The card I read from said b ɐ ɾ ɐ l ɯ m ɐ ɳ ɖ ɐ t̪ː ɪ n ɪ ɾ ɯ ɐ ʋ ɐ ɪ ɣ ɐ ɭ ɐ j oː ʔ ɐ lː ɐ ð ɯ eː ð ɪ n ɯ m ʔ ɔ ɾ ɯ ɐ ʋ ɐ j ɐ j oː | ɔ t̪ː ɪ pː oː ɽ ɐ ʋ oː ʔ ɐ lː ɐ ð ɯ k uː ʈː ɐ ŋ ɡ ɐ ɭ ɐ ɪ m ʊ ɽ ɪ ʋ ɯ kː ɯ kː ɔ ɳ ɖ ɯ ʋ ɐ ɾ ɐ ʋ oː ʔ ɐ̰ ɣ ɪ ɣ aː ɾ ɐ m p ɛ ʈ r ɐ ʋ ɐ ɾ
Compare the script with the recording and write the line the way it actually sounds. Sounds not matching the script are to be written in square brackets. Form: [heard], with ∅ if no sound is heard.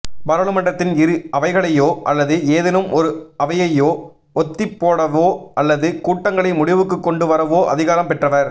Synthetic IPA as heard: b ɐ ɾ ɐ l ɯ m ɐ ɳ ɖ ɐ t̪ː ɪ n ɪ ɾ ɯ ɐ ʋ ɐ ɪ ɣ ɐ ɭ ɐ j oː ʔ ɐ lː ɐ ð ɯ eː ð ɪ n ɯ m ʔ ɔ ɾ ɯ ɐ ʋ ɐ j ɐ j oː | ɔ t̪ː ɪ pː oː ɽ ɐ ʋ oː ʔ ɐ lː ɐ ð ɯ k uː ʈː ɐ ŋ ɡ ɐ ɭ ɐ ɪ m ʊ ɽ ɪ ʋ ɯ kː ɯ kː ɔ ɳ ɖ ɯ ʋ ɐ ɾ ɐ ʋ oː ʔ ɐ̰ [ð] ɪ ɣ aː ɾ ɐ m p ɛ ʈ r ɐ ʋ ɐ ɾ